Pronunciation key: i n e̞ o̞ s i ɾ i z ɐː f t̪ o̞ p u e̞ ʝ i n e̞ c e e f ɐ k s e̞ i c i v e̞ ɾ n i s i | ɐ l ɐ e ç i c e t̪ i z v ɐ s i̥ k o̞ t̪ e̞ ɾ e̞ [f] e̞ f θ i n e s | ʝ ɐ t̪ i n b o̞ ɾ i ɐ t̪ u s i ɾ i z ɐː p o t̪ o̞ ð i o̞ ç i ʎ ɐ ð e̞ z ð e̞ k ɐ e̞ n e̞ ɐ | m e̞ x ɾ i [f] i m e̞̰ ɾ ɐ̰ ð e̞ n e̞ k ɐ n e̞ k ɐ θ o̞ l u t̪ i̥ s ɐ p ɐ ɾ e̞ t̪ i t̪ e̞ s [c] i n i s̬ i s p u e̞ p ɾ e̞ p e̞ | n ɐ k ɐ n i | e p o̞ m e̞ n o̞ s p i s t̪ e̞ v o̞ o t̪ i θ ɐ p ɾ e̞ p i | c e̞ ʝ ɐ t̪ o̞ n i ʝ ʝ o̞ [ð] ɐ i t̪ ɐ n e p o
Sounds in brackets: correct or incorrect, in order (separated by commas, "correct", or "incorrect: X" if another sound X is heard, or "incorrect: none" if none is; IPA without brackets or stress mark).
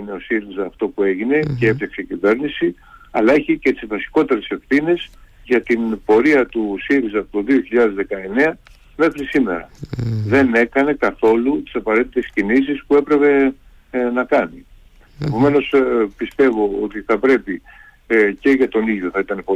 incorrect: s, incorrect: s, correct, incorrect: θ